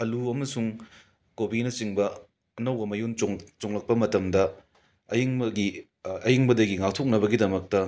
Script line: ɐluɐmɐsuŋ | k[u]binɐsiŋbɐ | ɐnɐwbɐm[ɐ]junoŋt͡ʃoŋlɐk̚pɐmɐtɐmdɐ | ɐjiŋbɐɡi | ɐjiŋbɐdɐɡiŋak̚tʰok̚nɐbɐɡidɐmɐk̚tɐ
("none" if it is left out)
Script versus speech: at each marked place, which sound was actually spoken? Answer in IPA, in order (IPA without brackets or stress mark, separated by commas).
o, ɐ